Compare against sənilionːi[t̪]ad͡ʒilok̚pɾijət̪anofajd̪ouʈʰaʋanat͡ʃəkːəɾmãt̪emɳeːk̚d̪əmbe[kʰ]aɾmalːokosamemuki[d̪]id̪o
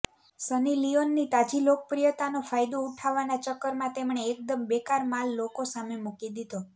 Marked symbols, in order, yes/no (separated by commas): yes, no, yes